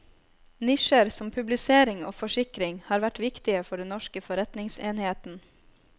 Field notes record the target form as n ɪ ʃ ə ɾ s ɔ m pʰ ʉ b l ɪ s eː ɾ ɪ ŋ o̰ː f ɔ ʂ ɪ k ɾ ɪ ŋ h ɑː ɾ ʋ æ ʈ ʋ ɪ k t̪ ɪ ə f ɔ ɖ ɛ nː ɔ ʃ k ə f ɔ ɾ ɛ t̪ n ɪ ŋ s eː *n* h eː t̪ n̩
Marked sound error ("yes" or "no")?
no